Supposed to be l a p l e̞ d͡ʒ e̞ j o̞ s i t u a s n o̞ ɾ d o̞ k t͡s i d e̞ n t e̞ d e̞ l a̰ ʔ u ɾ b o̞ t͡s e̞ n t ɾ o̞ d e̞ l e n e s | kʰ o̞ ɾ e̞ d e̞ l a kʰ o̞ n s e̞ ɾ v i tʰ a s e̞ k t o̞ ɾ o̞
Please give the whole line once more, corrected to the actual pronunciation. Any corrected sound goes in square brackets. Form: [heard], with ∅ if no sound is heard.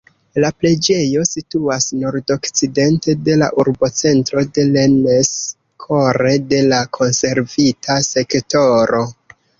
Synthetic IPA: l a p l e̞ d͡ʒ e̞ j o̞ s i t u a s n o̞ ɾ d o̞ k t͡s i d e̞ n t e̞ d e̞ l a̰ ʔ u ɾ b o̞ t͡s e̞ n t ɾ o̞ d e̞ l e n e s | kʰ o̞ ɾ e̞ d e̞ l a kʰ o̞ n s e̞ ɾ v i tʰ a s e̞ k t o̞ ɾ o̞